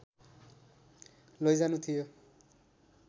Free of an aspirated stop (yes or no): no